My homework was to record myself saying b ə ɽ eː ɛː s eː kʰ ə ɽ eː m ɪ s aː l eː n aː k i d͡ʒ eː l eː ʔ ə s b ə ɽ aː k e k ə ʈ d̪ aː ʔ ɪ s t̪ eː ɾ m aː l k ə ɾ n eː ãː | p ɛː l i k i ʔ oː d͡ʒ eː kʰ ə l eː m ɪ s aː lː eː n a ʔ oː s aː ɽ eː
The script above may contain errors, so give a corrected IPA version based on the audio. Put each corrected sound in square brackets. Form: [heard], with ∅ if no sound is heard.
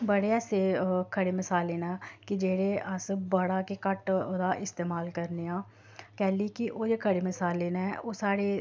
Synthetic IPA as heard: b ə ɽ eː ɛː s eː kʰ ə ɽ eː m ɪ s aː l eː n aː k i d͡ʒ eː [ɽ] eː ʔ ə s b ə ɽ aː k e k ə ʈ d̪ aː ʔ ɪ s t̪ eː [∅] m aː l k ə ɾ n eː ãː | [k] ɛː l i k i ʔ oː d͡ʒ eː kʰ ə [ɽ] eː m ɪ s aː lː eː n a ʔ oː s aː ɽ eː